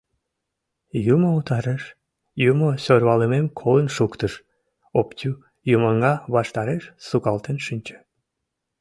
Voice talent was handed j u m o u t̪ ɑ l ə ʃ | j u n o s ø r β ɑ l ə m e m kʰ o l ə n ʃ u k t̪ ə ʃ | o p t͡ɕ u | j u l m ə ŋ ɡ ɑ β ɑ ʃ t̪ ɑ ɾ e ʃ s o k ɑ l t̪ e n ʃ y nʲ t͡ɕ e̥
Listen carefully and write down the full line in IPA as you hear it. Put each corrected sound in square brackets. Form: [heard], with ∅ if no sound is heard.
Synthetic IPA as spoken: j u m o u t̪ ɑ [ɾ] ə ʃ | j u [m] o s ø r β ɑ l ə m e m kʰ o l ə n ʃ u k t̪ ə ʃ | o p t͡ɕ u | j u [∅] m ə ŋ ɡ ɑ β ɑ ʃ t̪ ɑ ɾ e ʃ s [u] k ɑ l t̪ e n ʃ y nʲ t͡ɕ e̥